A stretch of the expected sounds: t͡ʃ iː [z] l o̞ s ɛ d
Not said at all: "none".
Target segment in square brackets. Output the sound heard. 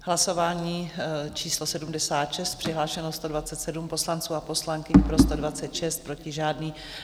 s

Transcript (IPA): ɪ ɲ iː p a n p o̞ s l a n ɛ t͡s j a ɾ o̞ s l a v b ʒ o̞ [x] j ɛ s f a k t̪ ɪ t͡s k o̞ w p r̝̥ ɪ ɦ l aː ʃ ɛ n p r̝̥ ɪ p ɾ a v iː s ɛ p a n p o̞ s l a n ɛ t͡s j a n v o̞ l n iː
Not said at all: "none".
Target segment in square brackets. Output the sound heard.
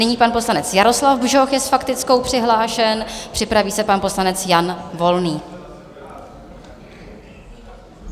x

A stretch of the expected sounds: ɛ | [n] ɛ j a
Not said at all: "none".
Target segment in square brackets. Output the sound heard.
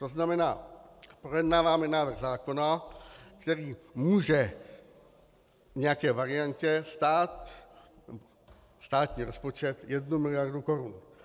ɲ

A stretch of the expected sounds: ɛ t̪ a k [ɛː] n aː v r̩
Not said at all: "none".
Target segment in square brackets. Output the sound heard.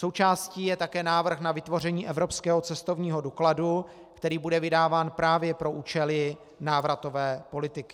ɛː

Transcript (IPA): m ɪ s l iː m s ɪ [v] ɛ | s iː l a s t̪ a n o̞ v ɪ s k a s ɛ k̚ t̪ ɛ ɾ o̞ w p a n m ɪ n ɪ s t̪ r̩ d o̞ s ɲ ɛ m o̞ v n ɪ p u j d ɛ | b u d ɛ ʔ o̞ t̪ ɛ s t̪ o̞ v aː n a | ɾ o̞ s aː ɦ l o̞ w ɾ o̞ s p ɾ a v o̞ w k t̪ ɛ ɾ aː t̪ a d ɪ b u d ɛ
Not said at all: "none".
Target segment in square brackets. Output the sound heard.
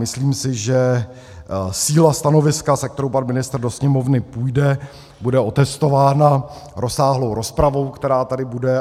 ʒ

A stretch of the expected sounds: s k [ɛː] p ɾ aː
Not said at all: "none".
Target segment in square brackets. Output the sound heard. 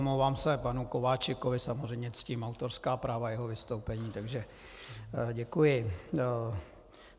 aː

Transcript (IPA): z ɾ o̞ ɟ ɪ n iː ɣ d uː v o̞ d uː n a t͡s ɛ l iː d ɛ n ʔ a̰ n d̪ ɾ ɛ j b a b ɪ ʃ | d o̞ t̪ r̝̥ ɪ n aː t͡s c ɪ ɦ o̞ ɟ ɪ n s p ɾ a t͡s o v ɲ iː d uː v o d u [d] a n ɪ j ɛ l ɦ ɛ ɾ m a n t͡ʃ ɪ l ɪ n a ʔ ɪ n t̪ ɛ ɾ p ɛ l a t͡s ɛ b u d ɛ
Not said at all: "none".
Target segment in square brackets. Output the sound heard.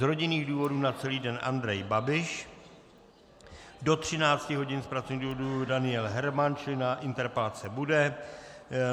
d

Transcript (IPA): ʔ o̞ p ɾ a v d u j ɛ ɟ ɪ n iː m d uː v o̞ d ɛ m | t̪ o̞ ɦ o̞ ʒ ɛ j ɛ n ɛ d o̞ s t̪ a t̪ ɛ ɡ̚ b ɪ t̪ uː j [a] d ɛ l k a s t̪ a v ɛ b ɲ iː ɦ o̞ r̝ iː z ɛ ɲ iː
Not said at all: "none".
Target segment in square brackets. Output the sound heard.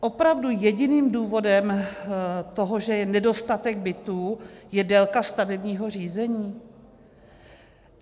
ɛ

